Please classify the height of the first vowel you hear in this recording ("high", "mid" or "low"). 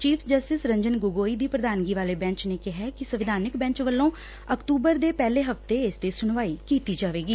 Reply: high